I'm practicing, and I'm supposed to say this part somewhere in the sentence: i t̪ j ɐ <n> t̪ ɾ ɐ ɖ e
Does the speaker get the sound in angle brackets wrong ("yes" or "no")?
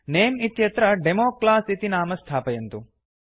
yes